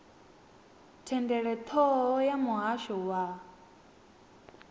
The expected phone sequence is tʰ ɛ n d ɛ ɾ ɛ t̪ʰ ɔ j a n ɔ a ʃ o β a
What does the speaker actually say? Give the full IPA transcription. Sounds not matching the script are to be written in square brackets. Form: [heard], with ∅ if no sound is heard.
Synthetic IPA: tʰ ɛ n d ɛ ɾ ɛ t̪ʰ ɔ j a [m] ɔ a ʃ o [w] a